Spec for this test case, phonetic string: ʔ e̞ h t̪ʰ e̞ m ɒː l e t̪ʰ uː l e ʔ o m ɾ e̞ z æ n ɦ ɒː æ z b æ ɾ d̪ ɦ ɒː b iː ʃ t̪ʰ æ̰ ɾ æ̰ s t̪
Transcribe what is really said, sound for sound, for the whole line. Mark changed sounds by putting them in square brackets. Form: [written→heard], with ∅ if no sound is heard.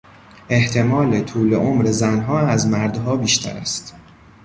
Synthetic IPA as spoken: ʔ e̞ h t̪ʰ e̞ m ɒː l e t̪ʰ uː l e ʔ o m ɾ e̞ z æ n ɦ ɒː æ z [b→m] æ ɾ d̪ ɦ ɒː b iː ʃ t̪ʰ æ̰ ɾ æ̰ s t̪